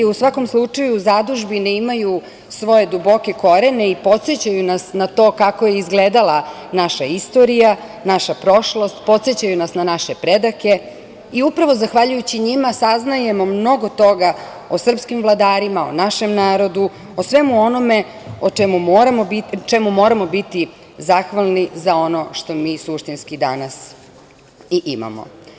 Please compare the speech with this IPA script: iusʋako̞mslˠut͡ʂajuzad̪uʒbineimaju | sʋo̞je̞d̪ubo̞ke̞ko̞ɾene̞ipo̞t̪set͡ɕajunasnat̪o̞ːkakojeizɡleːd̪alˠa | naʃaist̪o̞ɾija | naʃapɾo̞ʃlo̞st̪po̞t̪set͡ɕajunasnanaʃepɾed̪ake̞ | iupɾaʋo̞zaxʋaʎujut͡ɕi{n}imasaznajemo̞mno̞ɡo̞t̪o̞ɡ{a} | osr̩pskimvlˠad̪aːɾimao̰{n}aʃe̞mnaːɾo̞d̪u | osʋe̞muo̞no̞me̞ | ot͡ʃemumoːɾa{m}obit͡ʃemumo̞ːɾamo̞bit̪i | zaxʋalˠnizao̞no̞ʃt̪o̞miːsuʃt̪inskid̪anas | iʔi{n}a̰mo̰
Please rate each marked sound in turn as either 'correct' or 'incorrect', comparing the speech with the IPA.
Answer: incorrect, correct, correct, correct, incorrect

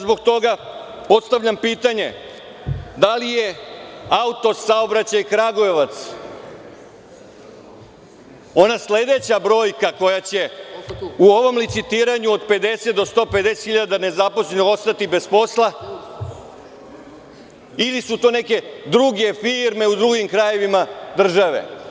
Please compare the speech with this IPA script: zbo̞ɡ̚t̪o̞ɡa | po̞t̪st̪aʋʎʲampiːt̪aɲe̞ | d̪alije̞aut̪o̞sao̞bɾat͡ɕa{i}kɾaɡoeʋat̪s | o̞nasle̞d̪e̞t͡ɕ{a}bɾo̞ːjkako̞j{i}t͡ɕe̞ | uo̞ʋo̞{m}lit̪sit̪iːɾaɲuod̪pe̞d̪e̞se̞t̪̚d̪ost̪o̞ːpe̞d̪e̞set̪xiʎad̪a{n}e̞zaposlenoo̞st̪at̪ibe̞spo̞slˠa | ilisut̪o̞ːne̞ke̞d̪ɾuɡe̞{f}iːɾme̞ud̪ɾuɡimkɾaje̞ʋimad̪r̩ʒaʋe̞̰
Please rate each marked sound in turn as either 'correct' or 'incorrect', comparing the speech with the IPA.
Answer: incorrect, correct, incorrect, correct, correct, correct

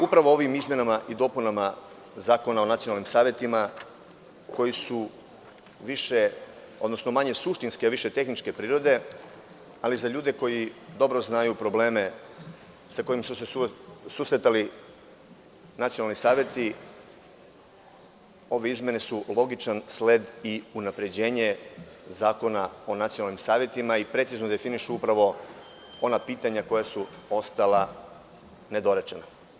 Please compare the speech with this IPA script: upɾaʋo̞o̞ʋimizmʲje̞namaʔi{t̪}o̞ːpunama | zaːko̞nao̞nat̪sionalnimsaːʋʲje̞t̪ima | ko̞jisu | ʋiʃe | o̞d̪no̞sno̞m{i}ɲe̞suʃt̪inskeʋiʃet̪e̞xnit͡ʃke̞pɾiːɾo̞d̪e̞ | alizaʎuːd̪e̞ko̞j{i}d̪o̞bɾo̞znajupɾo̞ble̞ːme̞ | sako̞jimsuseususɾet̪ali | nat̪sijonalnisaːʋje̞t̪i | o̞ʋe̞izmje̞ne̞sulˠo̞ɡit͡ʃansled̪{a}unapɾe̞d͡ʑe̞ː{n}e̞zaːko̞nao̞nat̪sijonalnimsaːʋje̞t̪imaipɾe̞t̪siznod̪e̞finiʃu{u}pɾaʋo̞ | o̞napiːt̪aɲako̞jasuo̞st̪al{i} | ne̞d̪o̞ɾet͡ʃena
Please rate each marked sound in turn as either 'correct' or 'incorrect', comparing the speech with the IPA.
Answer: incorrect, incorrect, correct, incorrect, incorrect, correct, incorrect

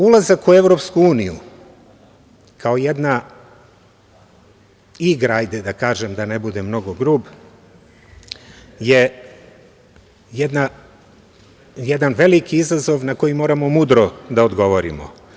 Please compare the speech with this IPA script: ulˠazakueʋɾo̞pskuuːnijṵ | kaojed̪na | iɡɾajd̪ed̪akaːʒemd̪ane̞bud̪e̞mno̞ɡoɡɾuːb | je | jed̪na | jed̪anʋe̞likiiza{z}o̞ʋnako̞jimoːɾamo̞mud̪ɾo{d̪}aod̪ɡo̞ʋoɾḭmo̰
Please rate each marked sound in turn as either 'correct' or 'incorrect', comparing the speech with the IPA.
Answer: correct, correct

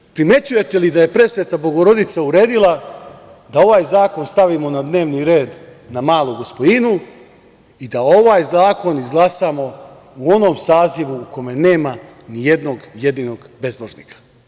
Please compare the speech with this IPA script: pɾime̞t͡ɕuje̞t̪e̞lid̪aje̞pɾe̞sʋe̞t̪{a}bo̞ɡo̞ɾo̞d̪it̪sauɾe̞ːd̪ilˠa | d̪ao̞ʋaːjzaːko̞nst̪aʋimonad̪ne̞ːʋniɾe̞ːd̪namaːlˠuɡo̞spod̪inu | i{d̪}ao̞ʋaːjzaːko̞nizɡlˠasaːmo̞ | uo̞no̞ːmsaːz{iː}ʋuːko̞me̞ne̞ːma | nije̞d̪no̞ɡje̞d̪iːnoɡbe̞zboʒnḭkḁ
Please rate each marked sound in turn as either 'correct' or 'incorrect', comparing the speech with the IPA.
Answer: correct, correct, incorrect

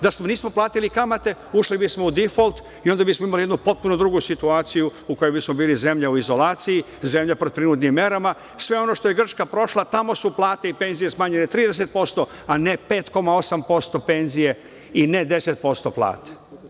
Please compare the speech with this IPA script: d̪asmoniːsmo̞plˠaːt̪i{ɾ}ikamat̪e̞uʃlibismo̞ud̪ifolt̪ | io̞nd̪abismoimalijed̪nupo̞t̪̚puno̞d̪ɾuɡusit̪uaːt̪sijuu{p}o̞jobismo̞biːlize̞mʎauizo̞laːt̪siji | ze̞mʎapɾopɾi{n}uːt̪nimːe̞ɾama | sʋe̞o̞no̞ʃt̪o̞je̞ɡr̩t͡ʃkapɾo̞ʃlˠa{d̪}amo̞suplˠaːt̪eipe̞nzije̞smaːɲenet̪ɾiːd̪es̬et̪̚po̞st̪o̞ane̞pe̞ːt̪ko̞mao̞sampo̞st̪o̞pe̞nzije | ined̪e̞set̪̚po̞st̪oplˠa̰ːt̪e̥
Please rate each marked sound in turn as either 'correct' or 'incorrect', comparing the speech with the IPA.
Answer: incorrect, incorrect, correct, incorrect

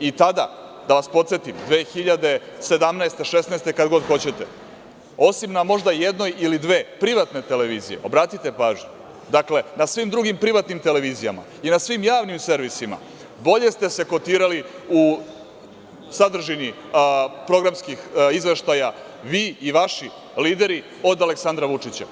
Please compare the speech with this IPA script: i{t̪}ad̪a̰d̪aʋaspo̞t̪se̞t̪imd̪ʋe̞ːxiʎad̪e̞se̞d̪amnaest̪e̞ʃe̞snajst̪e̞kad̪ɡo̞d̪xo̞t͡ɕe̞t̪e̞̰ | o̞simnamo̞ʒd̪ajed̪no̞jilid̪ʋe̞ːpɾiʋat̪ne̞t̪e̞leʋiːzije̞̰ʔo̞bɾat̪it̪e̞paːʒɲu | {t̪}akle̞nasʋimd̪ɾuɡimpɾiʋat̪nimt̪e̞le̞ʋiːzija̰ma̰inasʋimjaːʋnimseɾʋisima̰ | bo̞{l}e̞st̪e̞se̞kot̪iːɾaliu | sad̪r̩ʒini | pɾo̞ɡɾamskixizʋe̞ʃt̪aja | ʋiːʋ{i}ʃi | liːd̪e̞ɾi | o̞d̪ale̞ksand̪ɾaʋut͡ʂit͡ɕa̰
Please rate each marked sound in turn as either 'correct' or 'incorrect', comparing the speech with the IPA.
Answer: correct, incorrect, incorrect, incorrect

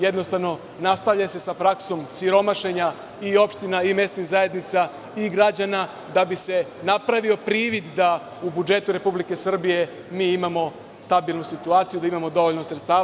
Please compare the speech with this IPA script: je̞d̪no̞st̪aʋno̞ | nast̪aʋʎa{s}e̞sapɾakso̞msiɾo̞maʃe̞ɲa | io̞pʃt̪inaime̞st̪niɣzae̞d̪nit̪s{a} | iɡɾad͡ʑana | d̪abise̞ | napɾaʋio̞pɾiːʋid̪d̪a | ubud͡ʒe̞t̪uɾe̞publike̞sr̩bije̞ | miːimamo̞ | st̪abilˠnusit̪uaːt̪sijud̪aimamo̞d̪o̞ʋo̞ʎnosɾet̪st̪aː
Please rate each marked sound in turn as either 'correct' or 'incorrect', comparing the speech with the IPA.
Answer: correct, correct

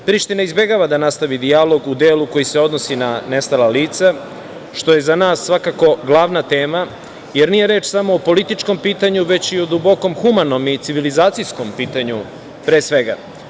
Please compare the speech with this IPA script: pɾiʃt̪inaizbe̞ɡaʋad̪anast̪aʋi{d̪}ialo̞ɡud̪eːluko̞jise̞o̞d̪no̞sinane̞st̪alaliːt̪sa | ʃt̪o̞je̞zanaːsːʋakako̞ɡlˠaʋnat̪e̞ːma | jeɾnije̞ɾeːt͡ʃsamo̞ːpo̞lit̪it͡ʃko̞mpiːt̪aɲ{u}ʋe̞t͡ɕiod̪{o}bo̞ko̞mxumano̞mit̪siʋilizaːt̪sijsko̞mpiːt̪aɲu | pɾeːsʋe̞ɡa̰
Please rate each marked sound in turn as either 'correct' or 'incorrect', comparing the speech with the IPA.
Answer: correct, correct, incorrect

